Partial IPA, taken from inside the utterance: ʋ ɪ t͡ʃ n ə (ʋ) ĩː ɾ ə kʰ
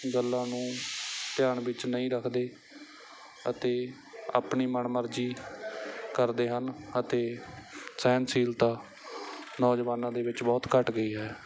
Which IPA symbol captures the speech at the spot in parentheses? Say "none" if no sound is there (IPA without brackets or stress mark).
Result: none